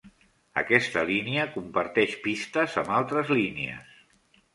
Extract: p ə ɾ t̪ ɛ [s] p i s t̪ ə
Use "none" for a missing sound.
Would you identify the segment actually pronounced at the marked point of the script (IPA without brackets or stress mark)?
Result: ʃ